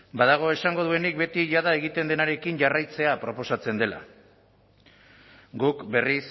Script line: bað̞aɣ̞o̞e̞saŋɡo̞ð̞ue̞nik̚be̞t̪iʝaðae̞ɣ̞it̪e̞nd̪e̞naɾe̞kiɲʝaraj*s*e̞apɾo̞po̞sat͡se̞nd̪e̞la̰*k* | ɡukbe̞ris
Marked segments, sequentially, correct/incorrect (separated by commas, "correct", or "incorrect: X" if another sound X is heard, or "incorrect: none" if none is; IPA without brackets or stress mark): incorrect: t͡s, incorrect: none